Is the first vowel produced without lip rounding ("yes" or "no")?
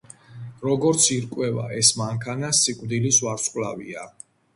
no